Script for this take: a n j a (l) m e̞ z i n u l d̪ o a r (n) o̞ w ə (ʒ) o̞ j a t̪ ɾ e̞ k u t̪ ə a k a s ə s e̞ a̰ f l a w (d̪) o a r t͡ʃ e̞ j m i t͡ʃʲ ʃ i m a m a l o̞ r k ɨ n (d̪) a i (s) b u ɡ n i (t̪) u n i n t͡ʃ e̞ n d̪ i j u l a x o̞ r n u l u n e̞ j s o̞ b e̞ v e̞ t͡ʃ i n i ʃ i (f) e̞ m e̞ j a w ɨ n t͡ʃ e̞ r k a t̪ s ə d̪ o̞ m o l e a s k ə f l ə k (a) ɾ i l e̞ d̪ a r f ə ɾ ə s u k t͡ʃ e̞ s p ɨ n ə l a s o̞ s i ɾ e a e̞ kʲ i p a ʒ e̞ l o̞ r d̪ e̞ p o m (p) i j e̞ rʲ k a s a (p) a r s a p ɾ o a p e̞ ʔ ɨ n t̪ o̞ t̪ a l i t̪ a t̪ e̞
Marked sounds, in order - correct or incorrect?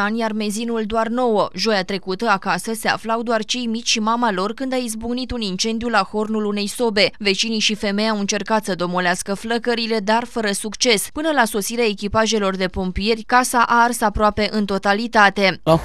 incorrect: r, correct, correct, correct, correct, incorrect: z, correct, correct, incorrect: ə, correct, incorrect: ʔ

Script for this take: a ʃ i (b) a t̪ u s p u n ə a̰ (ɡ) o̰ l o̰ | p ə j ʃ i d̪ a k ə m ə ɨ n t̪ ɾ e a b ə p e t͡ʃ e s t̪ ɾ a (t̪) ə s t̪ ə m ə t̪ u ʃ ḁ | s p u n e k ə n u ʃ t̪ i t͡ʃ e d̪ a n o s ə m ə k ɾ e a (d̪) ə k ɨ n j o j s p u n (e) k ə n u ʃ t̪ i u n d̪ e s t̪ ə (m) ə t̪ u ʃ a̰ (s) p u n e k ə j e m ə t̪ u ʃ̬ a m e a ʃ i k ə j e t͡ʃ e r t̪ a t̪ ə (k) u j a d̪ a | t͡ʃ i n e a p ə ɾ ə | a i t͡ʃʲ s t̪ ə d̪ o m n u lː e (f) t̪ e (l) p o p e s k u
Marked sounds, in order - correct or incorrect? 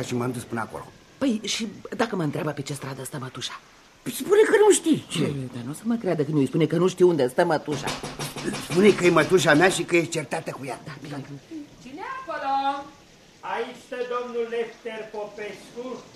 incorrect: m, incorrect: k, incorrect: d̪, correct, correct, correct, correct, correct, correct, incorrect: r

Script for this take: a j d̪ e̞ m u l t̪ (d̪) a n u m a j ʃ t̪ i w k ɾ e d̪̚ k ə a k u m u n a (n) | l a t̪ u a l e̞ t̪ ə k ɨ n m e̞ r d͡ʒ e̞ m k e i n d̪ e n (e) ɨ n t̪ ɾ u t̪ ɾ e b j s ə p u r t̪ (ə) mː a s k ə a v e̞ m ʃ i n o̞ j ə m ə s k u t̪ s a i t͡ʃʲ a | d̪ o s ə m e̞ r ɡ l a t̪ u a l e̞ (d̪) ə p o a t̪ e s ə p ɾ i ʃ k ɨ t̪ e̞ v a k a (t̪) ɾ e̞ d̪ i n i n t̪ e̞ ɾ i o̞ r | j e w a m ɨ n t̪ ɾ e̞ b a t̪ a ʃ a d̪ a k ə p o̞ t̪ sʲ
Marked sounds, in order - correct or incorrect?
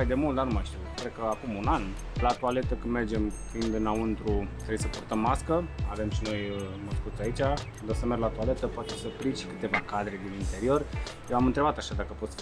correct, correct, incorrect: a, correct, incorrect: t̪, incorrect: d̪

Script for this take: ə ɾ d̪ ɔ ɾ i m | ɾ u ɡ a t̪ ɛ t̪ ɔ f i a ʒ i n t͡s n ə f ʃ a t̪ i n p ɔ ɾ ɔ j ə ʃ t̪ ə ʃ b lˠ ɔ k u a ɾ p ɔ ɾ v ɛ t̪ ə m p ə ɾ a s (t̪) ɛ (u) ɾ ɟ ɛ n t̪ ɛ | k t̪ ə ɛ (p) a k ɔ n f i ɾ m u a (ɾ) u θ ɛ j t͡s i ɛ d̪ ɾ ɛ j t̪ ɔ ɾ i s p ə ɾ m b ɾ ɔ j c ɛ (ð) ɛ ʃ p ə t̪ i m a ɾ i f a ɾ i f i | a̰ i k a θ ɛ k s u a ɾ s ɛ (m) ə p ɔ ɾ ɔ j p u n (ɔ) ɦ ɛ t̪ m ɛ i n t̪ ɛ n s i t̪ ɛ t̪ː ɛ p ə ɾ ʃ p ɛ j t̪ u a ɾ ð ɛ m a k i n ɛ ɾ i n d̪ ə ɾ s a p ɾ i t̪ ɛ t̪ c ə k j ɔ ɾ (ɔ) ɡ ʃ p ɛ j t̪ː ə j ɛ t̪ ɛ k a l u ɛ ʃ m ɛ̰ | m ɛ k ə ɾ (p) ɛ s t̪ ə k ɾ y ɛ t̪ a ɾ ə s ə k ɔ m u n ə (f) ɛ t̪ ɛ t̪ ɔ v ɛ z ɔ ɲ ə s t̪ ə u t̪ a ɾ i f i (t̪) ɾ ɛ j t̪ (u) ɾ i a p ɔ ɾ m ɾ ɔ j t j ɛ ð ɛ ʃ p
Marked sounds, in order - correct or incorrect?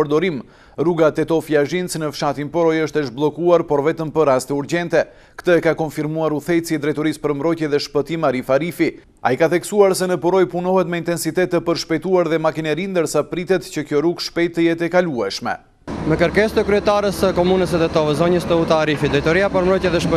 correct, correct, incorrect: k, correct, correct, incorrect: n, correct, incorrect: u, incorrect: k, incorrect: s, incorrect: d̪, incorrect: ɔ

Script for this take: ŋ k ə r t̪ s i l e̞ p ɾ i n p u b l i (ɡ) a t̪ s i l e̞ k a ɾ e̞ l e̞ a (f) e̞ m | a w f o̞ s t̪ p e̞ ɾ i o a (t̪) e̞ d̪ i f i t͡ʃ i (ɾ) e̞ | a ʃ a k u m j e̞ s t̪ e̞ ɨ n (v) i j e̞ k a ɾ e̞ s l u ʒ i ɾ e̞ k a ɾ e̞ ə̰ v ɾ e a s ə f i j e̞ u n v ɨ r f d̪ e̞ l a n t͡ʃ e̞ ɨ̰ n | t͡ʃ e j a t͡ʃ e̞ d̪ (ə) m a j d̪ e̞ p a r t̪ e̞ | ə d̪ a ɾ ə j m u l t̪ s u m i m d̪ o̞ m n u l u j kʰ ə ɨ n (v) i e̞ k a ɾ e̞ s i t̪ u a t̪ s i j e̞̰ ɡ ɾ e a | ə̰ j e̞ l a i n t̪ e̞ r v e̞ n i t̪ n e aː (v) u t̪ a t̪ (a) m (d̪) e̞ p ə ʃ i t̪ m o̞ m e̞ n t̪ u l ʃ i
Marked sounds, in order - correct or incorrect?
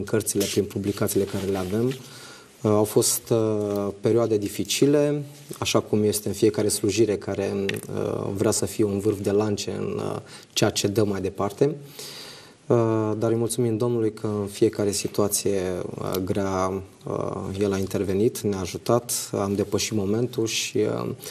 incorrect: k, incorrect: v, incorrect: d̪, incorrect: l, incorrect: f, correct, incorrect: f, incorrect: ʒ, correct, correct

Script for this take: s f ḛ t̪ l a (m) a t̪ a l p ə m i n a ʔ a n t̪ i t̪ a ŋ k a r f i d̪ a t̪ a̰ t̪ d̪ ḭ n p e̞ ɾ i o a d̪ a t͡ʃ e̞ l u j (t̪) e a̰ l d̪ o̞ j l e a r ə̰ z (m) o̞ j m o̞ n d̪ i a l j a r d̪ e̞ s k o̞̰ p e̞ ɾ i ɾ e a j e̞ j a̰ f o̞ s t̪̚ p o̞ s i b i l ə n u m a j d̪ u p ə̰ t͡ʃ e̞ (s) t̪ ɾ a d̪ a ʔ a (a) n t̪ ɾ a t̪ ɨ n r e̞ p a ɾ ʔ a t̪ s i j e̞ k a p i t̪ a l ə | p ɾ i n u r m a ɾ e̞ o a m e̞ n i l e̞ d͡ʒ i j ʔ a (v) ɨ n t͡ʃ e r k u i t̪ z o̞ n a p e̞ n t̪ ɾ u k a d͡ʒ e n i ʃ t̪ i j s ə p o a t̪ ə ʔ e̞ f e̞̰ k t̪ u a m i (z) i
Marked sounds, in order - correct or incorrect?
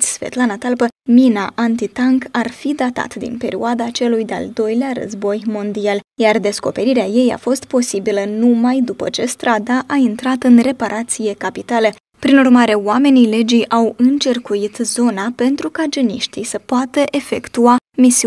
incorrect: n, incorrect: d̪, incorrect: b, correct, incorrect: i, incorrect: w, incorrect: s

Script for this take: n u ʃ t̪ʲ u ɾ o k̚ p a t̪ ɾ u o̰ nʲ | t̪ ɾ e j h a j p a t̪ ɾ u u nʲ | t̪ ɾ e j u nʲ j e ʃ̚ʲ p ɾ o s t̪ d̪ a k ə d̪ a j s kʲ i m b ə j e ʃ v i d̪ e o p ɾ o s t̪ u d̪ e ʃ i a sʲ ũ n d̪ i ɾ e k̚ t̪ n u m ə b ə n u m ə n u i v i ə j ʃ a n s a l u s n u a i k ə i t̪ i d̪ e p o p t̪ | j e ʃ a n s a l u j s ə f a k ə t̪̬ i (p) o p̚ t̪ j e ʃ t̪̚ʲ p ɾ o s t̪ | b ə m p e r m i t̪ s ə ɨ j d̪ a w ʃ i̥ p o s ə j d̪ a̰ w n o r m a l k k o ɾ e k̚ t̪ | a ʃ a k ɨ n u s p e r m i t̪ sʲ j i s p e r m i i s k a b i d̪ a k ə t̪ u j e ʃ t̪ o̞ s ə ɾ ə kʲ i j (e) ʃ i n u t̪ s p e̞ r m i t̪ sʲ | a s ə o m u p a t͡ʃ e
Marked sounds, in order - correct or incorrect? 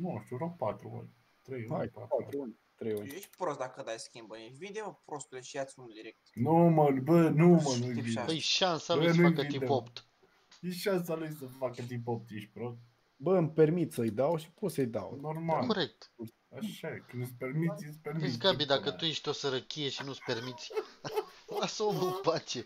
correct, correct

